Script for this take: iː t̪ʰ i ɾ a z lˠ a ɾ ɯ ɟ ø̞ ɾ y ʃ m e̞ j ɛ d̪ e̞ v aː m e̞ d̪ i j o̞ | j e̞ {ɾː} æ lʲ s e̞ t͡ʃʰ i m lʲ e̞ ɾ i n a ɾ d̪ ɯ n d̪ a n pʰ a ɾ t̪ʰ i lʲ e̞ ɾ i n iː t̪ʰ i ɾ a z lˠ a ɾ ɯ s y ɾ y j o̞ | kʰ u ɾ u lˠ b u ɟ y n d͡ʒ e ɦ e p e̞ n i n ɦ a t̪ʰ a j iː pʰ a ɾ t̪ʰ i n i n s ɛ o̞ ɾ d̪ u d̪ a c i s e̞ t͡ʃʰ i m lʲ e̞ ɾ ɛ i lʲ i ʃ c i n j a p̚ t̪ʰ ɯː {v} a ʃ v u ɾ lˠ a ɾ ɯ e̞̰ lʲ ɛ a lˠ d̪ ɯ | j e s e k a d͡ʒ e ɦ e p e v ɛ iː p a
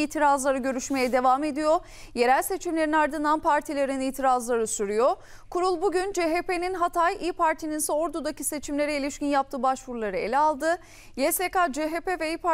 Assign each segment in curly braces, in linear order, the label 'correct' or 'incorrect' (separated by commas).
incorrect, incorrect